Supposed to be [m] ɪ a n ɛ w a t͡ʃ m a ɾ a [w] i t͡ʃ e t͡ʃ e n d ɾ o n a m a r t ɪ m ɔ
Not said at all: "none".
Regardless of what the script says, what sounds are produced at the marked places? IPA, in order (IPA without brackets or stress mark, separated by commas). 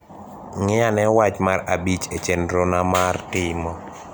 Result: ŋ, b